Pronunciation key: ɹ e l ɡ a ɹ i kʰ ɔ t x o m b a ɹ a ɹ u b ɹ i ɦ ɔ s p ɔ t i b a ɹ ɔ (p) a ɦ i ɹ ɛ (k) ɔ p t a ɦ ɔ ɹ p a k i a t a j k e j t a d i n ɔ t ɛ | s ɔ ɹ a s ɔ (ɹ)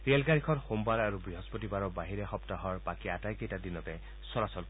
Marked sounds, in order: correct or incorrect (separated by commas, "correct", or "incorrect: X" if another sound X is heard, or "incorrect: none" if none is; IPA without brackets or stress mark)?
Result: incorrect: b, incorrect: x, incorrect: l